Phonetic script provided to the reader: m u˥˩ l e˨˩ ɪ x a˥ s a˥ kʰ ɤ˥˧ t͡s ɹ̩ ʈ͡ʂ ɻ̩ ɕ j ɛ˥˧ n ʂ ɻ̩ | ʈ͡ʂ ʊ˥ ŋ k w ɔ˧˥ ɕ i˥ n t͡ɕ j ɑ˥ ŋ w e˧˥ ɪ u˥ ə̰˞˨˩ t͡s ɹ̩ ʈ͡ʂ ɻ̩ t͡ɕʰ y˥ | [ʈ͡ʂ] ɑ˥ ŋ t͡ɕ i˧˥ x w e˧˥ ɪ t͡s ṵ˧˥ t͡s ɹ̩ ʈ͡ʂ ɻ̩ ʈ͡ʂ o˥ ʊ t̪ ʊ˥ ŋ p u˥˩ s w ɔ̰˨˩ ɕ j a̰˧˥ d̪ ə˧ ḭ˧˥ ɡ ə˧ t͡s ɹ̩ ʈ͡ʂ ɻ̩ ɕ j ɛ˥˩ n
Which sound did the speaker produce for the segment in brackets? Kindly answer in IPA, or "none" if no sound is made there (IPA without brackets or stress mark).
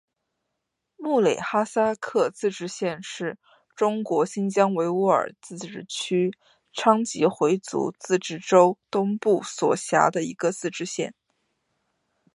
ʈ͡ʂʰ